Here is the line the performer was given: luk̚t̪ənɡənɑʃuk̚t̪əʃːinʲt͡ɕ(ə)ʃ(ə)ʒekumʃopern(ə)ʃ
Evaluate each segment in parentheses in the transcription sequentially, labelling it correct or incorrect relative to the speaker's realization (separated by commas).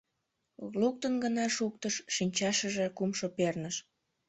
incorrect, correct, correct